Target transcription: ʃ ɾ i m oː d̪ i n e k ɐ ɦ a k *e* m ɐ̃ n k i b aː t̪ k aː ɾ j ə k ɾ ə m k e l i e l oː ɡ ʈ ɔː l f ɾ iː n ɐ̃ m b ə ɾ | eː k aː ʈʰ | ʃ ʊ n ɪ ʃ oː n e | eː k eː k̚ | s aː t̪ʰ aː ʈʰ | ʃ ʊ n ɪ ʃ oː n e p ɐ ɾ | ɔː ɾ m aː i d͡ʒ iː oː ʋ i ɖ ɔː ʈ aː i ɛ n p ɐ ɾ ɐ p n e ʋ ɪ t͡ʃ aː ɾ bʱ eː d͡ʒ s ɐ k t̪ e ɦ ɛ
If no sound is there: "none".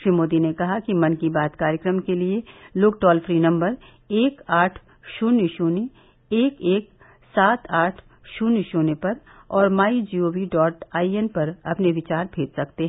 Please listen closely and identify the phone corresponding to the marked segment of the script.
i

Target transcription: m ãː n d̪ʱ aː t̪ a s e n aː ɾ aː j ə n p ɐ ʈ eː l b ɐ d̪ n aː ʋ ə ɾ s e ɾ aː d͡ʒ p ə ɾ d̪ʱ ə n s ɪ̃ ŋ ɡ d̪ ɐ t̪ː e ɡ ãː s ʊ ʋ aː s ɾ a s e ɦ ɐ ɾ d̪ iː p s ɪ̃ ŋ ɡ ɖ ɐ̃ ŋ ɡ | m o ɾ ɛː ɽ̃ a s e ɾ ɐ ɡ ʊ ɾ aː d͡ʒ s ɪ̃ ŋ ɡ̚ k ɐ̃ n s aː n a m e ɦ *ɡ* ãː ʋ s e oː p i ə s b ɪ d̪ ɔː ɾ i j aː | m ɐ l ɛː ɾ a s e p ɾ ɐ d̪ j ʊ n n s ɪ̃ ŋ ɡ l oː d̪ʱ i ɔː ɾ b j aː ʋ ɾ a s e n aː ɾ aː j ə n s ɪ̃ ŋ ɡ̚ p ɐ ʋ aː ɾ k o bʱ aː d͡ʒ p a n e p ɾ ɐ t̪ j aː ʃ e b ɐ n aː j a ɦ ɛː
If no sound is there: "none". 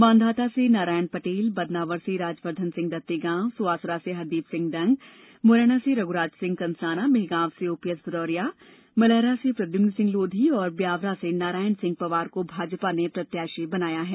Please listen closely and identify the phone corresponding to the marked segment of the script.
ɡ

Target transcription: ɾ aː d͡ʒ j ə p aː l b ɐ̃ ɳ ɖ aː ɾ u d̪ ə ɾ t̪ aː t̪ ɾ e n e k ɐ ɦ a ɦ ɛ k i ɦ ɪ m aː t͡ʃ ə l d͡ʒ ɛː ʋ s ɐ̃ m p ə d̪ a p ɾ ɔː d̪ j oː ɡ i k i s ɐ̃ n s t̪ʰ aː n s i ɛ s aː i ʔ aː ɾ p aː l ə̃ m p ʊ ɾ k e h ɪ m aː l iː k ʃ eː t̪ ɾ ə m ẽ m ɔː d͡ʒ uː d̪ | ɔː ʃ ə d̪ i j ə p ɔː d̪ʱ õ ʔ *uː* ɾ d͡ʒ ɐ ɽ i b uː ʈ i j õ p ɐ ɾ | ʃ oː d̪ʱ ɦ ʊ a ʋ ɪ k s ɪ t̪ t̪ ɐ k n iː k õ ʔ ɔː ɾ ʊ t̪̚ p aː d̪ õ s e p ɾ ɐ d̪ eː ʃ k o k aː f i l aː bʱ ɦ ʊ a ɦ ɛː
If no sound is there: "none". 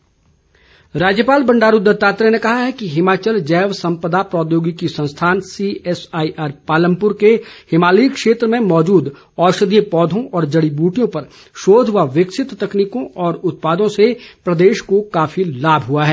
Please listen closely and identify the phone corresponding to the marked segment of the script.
ɔː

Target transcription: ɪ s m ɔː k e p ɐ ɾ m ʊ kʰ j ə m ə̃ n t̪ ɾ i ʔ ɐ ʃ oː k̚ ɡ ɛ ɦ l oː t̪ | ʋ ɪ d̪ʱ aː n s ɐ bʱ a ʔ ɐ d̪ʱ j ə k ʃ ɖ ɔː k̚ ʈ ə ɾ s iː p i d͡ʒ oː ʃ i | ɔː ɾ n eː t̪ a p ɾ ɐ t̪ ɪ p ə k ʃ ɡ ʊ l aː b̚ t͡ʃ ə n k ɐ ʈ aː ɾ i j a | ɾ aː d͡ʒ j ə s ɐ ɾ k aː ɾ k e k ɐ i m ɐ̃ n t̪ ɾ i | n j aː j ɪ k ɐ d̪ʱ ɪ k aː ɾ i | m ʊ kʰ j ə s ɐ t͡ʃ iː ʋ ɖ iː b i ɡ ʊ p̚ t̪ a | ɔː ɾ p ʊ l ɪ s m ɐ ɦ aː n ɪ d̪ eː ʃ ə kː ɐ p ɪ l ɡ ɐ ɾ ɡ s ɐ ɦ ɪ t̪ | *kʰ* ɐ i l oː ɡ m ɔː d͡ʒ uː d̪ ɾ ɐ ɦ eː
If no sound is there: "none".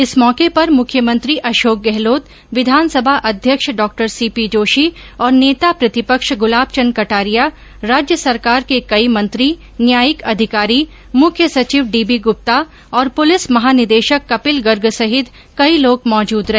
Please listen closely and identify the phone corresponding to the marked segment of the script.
k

